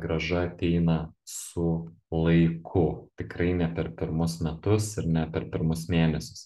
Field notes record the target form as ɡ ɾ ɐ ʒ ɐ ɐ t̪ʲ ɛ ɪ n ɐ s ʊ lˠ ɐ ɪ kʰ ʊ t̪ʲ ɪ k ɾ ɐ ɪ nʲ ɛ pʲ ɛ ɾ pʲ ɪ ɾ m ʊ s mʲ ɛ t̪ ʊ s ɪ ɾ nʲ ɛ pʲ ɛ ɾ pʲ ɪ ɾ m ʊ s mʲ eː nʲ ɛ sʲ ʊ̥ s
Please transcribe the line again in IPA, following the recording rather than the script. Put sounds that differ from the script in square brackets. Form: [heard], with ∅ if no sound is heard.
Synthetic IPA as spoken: ɡ ɾ ɐ ʒ ɐ ɐ t̪ʲ ɛ ɪ n ɐ s ʊ lˠ ɐ ɪ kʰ ʊ t̪ʲ ɪ k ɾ ɐ ɪ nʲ ɛ pʲ ɛ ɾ pʲ ɪ ɾ m ʊ s mʲ ɛ t̪ ʊ s ɪ ɾ nʲ ɛ pʲ ɛ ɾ pʲ ɪ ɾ m ʊ s mʲ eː nʲ ɛ sʲ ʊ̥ s